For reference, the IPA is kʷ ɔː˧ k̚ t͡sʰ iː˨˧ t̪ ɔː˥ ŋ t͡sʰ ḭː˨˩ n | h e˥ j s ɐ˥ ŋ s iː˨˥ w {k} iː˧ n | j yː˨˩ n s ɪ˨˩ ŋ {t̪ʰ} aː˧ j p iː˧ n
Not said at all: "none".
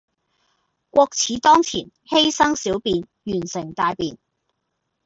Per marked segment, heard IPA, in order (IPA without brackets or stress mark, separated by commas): p, t̪